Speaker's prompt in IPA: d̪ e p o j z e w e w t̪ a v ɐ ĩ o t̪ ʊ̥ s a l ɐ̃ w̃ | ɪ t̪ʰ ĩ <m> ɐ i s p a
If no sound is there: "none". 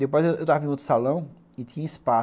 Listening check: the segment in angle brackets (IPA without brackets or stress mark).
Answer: ɲ